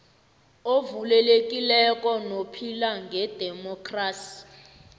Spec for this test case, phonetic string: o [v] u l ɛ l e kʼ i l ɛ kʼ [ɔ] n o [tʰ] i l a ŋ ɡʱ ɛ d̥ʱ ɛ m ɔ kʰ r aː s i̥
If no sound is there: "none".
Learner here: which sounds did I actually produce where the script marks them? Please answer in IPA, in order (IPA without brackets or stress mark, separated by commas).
v, ɔ, pʰ